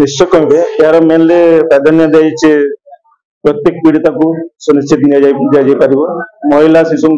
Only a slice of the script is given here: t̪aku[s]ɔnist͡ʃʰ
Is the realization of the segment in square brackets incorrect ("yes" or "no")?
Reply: no